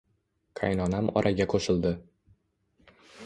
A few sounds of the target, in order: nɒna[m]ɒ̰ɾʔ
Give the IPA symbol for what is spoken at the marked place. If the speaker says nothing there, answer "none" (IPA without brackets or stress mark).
m